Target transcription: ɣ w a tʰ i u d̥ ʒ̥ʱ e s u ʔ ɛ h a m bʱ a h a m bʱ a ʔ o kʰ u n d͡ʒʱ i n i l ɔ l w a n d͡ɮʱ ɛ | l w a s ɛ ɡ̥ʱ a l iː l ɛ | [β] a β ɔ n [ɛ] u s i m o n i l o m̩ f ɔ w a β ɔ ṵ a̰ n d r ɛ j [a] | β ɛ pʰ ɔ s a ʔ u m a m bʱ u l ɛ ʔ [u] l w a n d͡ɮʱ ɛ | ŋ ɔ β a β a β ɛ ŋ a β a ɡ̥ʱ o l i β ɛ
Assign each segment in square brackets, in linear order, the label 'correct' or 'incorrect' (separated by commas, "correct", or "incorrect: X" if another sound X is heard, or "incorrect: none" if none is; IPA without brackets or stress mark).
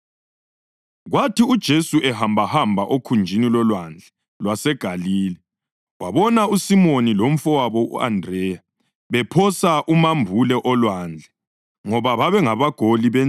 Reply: incorrect: w, incorrect: a, correct, incorrect: ɔ